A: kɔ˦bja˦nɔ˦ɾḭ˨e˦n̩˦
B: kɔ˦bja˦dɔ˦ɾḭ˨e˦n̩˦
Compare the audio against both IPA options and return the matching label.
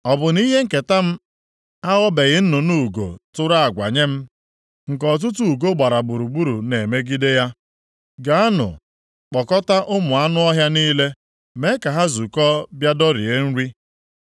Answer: B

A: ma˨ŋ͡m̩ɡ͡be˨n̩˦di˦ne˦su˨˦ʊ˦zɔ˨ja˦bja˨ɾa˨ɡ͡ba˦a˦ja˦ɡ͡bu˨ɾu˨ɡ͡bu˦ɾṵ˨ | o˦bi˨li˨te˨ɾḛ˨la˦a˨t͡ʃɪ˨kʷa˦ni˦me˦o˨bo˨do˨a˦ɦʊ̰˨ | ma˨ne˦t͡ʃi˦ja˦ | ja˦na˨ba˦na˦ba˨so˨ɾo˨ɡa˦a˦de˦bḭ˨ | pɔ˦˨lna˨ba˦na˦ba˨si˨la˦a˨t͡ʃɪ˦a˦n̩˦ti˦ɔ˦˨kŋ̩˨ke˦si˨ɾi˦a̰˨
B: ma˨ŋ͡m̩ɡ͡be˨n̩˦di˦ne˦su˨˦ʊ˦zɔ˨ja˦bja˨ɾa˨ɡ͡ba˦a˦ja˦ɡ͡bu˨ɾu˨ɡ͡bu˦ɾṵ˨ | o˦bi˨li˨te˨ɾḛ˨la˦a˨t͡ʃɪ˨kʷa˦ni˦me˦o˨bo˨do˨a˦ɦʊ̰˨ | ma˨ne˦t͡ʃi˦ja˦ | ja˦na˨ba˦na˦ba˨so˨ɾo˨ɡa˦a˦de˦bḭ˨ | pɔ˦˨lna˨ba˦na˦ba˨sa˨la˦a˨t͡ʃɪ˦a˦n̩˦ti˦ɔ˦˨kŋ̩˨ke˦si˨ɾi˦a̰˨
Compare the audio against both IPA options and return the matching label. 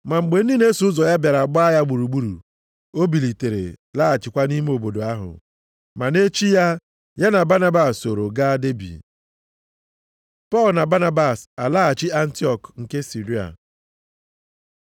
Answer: B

